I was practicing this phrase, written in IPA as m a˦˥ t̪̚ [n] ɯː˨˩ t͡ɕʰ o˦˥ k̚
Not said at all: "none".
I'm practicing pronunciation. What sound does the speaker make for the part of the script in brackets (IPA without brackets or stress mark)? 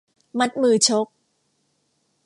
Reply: m